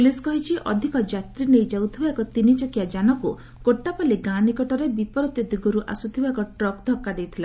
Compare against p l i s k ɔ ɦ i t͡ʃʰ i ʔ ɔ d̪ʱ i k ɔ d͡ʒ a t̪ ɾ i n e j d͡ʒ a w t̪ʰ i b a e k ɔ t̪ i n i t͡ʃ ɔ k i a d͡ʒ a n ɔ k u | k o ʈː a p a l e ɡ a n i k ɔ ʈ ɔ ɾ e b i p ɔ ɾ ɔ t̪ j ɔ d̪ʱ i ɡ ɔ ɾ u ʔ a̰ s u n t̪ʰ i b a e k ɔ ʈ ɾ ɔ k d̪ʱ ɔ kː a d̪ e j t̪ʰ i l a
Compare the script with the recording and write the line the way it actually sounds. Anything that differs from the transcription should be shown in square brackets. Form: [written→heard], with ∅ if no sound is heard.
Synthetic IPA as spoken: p l i s k ɔ ɦ i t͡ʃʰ i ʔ ɔ d̪ʱ i k ɔ d͡ʒ a t̪ ɾ i n e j d͡ʒ a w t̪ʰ i b a e k ɔ t̪ i n i t͡ʃ ɔ k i a d͡ʒ a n ɔ k u | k o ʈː a p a l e ɡ a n i k ɔ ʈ ɔ ɾ e b i p ɔ ɾ ɔ t̪ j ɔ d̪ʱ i ɡ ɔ ɾ u ʔ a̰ s u [n→∅] t̪ʰ i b a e k ɔ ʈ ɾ ɔ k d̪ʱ ɔ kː a d̪ e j t̪ʰ i l a